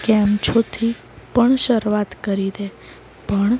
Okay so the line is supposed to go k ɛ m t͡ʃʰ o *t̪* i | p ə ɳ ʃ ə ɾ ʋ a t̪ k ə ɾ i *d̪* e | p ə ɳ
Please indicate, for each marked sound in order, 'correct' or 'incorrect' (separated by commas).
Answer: incorrect, correct